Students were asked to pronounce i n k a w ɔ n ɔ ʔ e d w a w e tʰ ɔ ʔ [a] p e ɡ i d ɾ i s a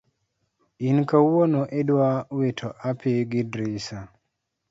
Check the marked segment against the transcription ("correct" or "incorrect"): correct